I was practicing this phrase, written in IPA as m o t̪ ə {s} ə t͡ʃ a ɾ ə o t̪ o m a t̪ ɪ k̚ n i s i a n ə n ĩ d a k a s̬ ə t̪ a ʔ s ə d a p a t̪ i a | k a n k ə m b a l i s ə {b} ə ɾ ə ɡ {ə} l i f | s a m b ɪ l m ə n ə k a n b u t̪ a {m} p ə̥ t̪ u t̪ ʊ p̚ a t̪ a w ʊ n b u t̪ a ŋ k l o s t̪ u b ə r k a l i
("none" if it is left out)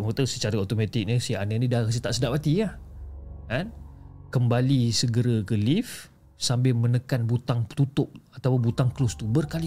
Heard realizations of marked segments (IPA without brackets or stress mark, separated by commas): s, ɡ, ə, ŋ